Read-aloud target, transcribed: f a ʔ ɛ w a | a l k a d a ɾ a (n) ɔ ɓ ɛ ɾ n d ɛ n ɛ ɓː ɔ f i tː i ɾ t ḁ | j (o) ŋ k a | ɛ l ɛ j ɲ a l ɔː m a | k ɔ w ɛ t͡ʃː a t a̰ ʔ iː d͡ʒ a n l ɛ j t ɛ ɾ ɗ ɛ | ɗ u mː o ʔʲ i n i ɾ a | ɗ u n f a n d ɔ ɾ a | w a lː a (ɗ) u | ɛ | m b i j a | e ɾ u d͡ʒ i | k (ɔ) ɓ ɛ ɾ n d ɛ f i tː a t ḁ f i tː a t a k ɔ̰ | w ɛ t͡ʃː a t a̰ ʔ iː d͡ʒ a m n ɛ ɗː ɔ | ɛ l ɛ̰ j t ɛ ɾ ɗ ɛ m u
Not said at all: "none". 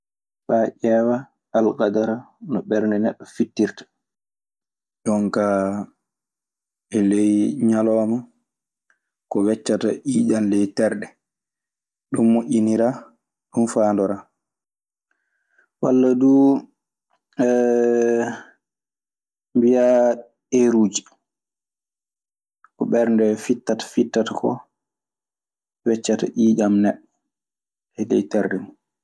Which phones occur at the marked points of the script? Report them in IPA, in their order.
n, ɔ, d, ɔ

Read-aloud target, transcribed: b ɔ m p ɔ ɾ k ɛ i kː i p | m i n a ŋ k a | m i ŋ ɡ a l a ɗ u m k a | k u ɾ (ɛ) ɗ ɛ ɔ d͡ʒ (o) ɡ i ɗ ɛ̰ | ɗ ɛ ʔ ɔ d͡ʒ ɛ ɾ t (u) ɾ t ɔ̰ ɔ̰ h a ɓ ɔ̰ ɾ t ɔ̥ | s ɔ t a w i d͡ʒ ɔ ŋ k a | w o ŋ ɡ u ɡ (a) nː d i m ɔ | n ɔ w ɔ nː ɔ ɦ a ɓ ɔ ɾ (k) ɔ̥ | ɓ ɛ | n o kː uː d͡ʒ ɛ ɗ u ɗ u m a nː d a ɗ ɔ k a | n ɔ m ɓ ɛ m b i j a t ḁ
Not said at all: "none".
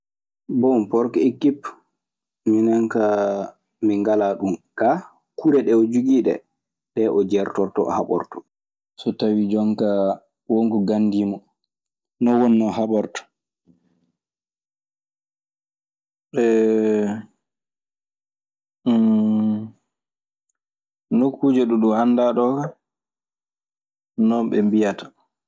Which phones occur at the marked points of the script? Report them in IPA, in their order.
ɛ, u, ɔ, a, t

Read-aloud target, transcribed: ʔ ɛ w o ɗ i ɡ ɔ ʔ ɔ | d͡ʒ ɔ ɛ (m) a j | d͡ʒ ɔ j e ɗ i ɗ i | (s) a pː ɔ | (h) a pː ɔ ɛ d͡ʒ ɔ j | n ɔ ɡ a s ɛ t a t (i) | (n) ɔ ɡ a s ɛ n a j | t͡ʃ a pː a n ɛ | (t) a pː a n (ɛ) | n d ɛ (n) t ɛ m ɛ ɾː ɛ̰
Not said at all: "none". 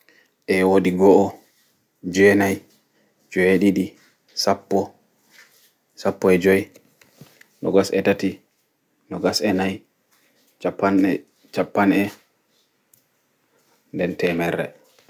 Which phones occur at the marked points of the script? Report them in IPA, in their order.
n, s, s, i, n, t͡ʃ, ɛ, n

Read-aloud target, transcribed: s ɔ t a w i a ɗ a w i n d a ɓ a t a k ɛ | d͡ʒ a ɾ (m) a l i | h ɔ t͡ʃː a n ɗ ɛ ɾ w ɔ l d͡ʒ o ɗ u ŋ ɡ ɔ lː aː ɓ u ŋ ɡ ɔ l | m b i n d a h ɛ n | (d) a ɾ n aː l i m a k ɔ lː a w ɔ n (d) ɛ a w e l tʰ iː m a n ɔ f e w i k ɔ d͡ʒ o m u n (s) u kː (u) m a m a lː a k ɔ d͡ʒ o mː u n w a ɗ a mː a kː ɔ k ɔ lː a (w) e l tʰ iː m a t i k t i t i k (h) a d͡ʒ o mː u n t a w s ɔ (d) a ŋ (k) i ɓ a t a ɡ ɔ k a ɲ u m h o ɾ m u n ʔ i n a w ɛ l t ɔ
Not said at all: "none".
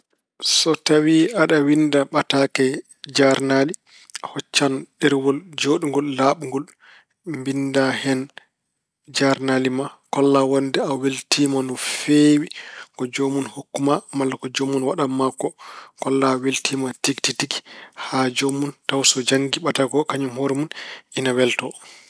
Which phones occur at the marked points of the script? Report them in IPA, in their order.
n, d͡ʒ, d, h, u, w, h, d͡ʒ, ɡ

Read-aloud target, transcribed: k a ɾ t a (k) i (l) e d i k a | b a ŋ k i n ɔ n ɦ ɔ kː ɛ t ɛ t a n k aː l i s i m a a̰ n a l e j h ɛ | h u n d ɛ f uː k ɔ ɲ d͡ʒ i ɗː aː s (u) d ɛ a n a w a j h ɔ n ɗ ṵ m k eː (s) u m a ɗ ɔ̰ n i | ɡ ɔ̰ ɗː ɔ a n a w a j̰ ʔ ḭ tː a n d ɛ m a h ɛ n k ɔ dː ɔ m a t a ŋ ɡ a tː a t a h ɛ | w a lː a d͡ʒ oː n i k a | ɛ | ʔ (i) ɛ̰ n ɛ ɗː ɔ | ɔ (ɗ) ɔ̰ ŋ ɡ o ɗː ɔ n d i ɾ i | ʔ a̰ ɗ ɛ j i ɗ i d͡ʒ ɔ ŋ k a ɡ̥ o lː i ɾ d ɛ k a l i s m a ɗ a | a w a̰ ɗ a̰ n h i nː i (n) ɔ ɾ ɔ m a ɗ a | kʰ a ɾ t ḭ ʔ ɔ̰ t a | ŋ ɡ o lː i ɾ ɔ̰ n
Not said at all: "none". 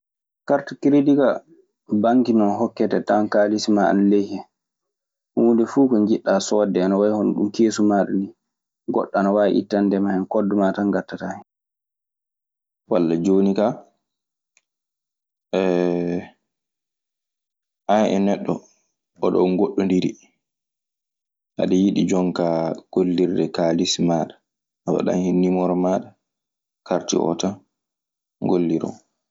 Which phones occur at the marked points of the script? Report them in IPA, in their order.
k, ɾ, ɔ, s, a, ɗ, m

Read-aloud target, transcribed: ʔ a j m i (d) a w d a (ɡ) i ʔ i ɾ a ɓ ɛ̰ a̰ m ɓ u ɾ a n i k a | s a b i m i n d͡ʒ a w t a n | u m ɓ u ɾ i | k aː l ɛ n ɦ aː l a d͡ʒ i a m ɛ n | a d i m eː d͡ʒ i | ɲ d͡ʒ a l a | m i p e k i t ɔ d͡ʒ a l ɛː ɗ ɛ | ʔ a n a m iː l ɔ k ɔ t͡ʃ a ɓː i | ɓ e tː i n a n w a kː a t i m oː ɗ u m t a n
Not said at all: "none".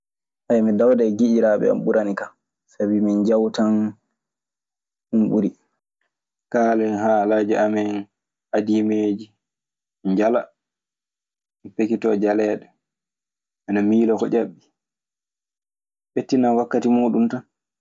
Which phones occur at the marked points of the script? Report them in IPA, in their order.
d, ɡ

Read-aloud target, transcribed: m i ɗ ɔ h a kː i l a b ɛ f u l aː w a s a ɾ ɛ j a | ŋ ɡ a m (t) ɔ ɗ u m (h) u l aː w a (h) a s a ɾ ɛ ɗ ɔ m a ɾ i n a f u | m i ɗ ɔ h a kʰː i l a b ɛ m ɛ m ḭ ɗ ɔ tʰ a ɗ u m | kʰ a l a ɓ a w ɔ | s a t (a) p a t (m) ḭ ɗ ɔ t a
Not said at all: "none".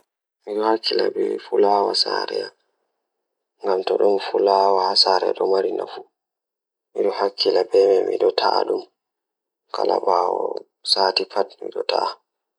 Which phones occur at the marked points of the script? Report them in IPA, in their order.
t, f, h, i, m

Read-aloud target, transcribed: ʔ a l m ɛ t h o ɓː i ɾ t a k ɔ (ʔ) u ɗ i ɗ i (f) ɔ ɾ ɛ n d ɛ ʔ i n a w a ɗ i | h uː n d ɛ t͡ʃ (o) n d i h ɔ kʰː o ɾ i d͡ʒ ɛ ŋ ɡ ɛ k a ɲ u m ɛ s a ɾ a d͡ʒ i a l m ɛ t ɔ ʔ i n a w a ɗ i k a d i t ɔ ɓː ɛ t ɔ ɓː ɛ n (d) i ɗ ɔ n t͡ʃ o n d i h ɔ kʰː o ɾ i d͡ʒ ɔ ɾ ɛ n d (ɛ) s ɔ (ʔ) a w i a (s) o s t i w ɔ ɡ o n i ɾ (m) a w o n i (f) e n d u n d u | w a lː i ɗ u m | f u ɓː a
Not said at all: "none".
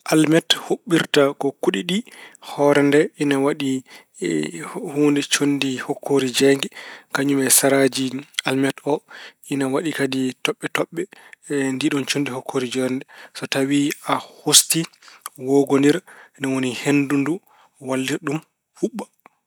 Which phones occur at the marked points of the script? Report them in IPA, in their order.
k, h, o, d, ɛ, t, h, n, h

